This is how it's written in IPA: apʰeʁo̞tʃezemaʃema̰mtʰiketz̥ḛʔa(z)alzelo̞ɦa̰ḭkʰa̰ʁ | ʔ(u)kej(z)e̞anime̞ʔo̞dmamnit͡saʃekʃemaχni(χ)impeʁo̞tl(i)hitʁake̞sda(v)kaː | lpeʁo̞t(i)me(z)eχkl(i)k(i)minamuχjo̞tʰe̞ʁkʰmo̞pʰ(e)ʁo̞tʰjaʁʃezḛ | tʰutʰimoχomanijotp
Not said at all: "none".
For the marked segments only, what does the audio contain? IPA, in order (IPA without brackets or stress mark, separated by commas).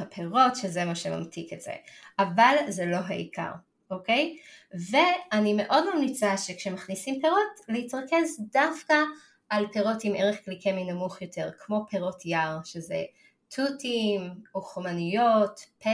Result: v, o, v, s, e, f, i, ʁ, i, e, e